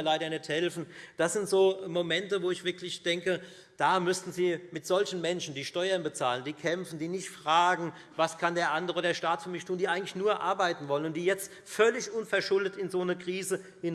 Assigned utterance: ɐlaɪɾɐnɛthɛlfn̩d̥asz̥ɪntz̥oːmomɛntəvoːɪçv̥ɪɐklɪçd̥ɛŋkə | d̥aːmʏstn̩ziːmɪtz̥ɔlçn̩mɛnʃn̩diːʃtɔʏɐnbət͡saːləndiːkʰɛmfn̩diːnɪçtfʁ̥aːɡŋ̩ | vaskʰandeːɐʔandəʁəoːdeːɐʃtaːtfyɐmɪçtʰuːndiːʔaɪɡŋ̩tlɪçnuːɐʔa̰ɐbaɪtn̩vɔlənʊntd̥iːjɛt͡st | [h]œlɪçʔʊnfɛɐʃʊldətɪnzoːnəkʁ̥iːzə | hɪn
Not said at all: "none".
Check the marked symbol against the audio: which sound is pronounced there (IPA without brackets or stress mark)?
f